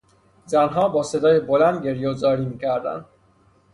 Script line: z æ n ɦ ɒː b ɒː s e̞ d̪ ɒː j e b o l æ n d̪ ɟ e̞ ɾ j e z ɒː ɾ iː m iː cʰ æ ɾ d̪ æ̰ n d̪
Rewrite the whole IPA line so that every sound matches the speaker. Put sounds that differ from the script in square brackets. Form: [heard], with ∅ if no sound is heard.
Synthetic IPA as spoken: z æ n ɦ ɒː b ɒː s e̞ d̪ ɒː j e b o l æ n d̪ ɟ e̞ ɾ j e z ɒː ɾ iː m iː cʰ æ ɾ d̪ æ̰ n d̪